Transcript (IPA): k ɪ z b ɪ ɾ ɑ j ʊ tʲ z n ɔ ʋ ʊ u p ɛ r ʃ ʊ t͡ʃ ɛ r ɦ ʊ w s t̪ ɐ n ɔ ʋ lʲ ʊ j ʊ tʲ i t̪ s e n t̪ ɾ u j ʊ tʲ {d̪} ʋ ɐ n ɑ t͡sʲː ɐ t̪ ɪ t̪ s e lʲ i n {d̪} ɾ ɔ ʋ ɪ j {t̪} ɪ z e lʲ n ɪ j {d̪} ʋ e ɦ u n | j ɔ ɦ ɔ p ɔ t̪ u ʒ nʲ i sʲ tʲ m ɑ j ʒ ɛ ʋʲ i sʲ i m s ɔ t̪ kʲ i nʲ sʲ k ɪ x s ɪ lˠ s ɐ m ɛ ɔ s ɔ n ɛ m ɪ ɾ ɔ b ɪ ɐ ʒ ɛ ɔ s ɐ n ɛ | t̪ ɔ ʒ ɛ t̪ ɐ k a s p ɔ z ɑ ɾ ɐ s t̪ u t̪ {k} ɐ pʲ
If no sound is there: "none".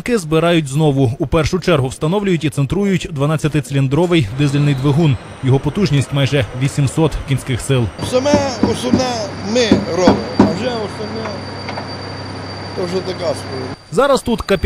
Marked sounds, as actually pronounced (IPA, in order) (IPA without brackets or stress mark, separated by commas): d̪, d̪, d̪, d̪, k